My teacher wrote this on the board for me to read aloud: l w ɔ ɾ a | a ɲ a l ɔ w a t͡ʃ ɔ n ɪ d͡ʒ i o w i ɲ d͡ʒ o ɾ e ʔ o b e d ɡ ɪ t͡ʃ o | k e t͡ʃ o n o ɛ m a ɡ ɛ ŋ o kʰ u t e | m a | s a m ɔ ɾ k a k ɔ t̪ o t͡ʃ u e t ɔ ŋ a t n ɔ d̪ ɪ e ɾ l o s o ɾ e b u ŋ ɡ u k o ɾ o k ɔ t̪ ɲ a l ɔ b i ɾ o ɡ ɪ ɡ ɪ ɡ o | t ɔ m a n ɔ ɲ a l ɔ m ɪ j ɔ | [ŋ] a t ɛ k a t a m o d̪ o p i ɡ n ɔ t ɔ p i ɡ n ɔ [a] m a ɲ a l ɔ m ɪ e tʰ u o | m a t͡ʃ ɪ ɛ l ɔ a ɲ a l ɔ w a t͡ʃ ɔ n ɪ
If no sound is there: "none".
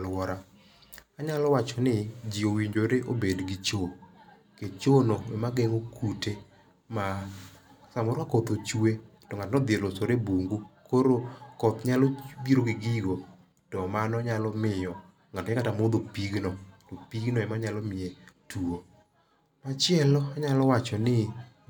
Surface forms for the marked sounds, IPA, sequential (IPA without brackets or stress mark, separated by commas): ŋ, ɛ